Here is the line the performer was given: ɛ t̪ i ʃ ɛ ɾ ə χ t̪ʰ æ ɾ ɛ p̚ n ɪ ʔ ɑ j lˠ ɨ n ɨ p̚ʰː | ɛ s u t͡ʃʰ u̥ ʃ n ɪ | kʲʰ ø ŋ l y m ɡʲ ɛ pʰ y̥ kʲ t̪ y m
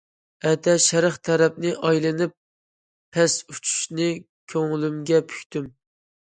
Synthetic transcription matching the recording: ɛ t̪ ɛ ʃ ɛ ɾ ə χ t̪ʰ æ ɾ ɛ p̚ n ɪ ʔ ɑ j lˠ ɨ n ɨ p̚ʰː | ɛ s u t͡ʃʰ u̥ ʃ n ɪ | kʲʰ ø ŋ l y m ɡʲ ɛ pʰ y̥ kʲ t̪ y m